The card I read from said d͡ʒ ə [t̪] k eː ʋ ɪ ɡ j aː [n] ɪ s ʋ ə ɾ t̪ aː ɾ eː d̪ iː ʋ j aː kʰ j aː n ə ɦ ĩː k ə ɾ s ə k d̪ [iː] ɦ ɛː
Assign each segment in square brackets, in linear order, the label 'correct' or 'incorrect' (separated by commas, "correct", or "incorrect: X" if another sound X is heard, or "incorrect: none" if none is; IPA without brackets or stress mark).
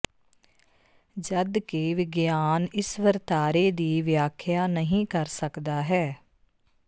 incorrect: d̪, correct, incorrect: aː